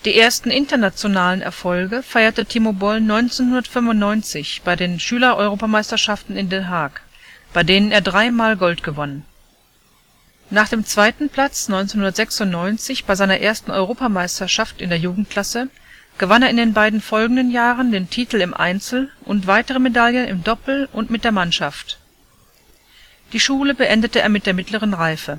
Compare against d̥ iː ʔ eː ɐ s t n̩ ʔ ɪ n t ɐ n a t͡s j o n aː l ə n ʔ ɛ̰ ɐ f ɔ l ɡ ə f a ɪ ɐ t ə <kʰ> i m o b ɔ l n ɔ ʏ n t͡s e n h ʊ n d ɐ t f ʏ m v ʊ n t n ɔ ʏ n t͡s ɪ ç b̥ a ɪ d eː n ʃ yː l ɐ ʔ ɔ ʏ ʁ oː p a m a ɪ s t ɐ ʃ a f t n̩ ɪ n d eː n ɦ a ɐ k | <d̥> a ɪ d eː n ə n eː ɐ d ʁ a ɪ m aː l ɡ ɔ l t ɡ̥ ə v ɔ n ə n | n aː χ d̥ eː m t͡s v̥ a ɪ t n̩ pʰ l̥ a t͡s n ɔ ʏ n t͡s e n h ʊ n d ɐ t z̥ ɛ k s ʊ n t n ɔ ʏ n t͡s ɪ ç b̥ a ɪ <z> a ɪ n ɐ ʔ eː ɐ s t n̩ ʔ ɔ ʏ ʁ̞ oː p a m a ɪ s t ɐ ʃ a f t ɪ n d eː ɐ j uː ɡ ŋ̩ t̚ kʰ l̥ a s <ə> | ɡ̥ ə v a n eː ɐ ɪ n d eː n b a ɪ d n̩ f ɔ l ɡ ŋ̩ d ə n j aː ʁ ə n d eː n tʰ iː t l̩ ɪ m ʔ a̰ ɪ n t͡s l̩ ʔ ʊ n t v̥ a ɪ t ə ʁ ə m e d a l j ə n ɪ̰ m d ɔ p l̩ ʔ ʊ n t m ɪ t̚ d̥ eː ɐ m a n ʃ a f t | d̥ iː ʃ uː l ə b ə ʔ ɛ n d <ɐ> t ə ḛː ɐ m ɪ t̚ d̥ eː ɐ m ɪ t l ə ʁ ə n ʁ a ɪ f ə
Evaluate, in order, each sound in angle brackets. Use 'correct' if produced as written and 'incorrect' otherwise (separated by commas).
incorrect, incorrect, correct, correct, incorrect